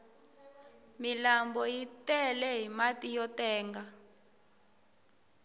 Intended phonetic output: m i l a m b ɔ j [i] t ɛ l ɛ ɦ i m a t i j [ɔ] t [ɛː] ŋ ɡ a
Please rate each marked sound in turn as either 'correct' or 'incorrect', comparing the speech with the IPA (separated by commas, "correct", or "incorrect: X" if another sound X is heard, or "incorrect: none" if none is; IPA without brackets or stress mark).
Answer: correct, correct, correct